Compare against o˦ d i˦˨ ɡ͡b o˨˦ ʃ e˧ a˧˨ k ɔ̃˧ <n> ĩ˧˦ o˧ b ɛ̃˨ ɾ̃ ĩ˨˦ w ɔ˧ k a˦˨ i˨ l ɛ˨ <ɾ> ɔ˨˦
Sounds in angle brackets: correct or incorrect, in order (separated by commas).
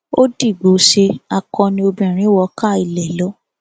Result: correct, incorrect